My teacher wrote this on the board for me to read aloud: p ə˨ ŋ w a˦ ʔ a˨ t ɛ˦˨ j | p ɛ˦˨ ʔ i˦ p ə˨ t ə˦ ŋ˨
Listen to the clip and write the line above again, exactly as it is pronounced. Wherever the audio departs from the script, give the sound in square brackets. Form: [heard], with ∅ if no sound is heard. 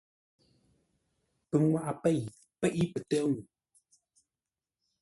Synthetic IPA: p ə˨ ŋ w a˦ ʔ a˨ [p] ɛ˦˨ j | p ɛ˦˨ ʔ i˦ p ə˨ t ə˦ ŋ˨